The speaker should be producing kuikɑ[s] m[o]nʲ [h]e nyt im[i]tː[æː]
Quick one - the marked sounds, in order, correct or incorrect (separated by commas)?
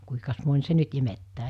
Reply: correct, correct, incorrect, incorrect, correct